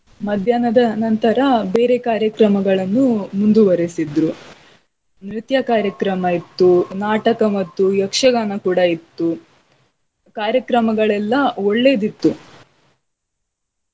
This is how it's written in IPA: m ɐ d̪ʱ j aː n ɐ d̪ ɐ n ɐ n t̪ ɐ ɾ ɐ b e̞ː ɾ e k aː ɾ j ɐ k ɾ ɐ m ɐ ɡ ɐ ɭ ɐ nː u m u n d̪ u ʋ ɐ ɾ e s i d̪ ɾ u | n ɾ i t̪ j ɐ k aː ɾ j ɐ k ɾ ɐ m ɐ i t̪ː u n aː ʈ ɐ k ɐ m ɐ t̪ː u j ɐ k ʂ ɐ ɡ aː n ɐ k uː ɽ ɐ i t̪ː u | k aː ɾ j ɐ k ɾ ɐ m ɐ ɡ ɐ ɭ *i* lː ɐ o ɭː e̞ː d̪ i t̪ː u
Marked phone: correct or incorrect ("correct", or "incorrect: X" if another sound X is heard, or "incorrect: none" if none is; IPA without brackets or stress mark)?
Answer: incorrect: ɛ